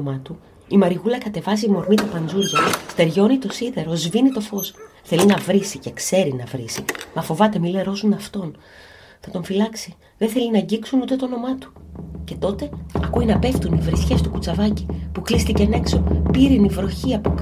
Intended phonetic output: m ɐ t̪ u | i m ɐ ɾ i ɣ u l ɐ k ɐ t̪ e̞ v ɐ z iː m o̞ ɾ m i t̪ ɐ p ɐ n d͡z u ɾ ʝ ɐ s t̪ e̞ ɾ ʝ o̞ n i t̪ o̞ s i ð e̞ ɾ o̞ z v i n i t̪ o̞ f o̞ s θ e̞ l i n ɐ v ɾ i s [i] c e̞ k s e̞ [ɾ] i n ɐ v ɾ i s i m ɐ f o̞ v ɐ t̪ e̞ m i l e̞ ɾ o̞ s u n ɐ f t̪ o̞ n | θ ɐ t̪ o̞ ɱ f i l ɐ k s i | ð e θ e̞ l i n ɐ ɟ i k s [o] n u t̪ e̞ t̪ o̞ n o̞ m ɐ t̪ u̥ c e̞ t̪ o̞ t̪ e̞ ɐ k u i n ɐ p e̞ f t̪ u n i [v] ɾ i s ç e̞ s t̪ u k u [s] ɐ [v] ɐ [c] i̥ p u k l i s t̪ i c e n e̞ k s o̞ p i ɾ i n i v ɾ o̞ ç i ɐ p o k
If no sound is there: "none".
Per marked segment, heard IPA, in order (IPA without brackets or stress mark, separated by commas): i, ɾ, u, v, t͡s, v, c